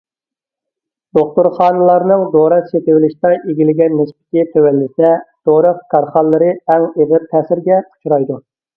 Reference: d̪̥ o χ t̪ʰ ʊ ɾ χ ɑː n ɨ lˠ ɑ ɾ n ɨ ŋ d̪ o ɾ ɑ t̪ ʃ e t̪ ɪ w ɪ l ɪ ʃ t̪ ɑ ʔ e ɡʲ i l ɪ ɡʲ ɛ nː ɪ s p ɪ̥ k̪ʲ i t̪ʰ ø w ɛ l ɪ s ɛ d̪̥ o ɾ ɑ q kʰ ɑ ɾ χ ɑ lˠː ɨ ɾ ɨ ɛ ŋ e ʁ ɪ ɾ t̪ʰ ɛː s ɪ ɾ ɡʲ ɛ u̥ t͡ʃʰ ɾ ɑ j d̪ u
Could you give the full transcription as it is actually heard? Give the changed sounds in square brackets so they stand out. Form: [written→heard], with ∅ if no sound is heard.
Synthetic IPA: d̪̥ o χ [t̪ʰ→t̪] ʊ ɾ χ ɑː n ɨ lˠ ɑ ɾ n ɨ ŋ d̪ o ɾ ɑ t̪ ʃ e t̪ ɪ w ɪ l ɪ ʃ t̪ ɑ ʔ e ɡʲ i l ɪ ɡʲ ɛ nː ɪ s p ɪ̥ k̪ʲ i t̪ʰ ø w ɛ [l→lː] ɪ s ɛ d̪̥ o ɾ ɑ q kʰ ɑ ɾ χ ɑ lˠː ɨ ɾ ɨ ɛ ŋ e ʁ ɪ ɾ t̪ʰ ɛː s ɪ ɾ ɡʲ ɛ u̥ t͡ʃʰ ɾ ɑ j d̪ u